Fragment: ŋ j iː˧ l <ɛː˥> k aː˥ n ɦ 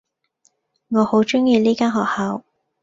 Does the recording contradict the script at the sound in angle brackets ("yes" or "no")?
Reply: yes